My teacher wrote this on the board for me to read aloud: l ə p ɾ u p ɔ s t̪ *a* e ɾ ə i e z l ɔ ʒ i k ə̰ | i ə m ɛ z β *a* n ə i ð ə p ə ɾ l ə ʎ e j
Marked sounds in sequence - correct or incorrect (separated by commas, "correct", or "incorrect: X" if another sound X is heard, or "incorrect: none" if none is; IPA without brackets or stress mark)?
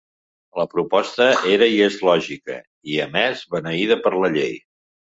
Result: incorrect: ə, incorrect: ə